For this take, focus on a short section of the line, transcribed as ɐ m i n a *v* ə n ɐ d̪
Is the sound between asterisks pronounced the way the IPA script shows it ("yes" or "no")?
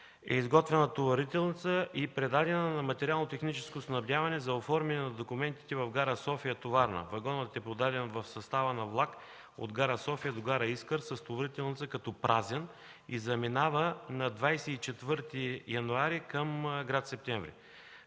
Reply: yes